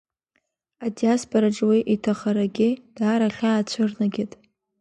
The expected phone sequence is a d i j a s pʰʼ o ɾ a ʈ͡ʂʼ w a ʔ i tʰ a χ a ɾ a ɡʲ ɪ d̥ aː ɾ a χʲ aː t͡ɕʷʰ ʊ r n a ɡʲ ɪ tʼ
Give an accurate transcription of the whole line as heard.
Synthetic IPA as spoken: a d i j a s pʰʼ o ɾ a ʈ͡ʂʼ w i ʔ i tʰ a χ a ɾ a ɡʲ ɪ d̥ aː ɾ a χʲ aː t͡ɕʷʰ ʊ r n a ɡʲ ɪ tʼ